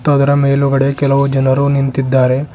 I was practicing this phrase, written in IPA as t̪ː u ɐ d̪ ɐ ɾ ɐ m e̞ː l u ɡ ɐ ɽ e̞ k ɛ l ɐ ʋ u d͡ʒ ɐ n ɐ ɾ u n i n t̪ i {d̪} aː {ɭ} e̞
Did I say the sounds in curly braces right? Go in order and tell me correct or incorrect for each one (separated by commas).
incorrect, incorrect